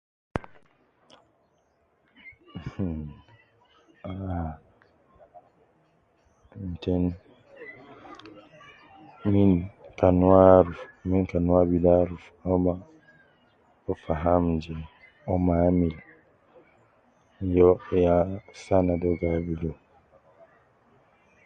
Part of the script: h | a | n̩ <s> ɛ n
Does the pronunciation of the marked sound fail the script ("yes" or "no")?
yes